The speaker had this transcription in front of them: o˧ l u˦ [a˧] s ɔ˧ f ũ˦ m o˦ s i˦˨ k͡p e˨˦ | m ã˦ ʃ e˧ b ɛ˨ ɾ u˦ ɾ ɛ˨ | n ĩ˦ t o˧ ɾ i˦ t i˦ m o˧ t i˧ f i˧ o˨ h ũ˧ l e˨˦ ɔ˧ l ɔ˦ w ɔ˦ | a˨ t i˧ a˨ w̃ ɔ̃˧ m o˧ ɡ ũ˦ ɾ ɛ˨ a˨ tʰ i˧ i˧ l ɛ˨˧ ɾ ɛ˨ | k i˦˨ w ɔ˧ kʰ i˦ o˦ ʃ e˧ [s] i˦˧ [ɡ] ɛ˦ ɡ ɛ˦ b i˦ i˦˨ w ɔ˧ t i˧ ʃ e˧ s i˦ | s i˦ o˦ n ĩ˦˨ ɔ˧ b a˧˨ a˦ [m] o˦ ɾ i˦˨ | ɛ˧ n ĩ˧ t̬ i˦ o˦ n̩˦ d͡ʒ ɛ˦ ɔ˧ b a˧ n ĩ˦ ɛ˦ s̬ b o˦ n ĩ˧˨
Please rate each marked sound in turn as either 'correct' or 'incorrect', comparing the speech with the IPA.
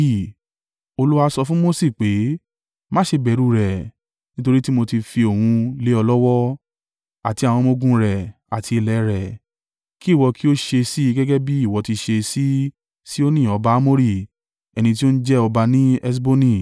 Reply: correct, correct, correct, correct

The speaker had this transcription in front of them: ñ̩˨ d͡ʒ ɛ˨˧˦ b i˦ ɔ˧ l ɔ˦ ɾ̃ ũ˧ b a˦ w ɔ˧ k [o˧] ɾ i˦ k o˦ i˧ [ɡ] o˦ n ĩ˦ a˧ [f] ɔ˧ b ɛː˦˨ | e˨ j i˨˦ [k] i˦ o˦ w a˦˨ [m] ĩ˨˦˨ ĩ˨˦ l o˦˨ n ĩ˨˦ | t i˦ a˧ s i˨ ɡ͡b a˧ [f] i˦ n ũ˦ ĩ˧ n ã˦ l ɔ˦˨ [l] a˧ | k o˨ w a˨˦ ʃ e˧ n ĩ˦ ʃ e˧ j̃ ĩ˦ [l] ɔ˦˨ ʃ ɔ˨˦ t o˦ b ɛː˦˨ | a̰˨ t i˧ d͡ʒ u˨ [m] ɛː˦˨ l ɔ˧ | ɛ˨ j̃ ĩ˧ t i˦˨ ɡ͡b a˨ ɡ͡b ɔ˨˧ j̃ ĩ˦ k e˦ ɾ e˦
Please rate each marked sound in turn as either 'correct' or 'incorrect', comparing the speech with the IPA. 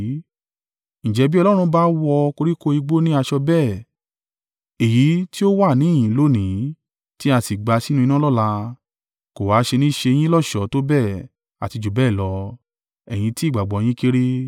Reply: correct, incorrect, incorrect, incorrect, incorrect, incorrect, correct, correct, incorrect

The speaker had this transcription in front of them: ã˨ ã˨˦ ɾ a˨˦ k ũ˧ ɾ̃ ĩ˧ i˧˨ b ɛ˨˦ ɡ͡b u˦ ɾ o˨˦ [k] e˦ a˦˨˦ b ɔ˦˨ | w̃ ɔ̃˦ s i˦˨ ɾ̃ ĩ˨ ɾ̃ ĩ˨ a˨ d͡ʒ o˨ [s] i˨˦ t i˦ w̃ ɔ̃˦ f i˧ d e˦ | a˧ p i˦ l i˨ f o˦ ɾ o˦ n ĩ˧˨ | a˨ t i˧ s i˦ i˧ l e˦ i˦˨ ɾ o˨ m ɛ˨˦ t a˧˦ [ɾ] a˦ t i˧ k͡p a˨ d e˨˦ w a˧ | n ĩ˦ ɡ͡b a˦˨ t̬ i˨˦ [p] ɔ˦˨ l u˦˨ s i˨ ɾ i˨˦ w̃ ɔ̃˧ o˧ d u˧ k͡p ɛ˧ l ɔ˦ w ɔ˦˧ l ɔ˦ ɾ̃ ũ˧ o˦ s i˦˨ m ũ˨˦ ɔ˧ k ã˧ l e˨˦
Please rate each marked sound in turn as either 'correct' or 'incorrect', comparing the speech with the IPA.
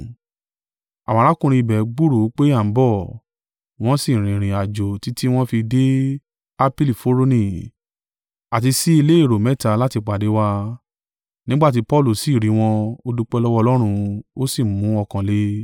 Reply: incorrect, incorrect, incorrect, correct

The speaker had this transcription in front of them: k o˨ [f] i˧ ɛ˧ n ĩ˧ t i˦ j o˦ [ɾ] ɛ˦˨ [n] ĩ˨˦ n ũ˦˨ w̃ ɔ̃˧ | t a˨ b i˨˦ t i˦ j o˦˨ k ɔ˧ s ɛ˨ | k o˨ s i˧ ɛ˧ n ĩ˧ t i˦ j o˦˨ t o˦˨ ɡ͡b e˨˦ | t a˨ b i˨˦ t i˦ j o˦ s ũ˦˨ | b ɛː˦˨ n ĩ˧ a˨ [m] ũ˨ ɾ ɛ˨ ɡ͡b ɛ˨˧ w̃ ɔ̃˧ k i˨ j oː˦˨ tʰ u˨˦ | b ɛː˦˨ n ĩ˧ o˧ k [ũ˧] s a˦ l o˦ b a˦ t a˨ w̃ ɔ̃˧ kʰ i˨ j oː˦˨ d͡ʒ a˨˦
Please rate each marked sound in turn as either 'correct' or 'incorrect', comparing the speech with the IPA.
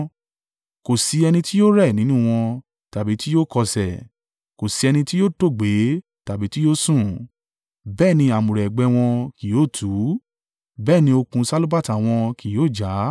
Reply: incorrect, correct, correct, correct, correct

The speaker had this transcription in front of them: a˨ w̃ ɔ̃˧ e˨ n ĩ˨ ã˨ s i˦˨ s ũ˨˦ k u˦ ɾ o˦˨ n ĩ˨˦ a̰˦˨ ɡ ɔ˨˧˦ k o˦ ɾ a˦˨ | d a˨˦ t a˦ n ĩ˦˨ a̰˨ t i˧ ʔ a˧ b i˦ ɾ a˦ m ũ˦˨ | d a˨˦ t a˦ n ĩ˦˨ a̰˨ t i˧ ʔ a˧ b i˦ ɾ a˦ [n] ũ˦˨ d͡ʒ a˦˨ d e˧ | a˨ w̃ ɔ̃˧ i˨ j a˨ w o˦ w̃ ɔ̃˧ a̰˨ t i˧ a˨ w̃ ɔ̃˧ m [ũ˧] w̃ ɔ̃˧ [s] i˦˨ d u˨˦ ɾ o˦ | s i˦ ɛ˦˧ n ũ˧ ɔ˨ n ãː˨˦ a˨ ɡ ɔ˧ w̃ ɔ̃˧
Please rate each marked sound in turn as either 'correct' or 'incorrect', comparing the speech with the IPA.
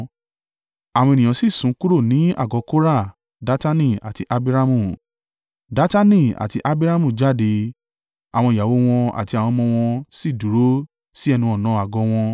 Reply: incorrect, incorrect, correct

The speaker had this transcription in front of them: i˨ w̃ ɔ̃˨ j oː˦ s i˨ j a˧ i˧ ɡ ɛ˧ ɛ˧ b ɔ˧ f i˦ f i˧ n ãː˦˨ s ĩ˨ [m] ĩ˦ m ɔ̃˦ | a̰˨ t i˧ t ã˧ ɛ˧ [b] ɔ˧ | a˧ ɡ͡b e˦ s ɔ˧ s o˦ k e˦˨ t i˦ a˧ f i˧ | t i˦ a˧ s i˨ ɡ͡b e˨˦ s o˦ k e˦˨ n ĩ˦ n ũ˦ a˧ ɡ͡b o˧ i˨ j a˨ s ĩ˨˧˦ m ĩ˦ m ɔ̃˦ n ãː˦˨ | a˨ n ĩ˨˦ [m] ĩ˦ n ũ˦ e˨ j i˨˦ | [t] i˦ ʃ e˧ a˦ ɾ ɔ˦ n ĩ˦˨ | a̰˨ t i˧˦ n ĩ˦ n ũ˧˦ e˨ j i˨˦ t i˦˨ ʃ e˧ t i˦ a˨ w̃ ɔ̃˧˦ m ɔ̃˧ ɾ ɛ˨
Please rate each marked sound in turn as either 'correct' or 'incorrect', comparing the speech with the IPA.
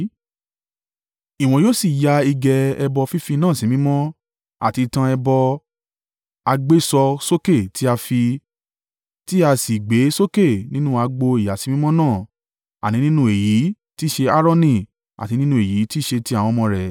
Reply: correct, correct, incorrect, correct

